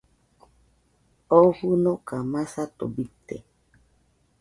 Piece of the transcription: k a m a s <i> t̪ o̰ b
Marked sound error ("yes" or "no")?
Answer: yes